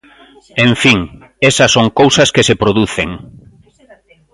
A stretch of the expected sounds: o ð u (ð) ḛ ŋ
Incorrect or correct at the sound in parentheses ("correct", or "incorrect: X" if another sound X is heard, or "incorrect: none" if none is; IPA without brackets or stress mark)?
incorrect: θ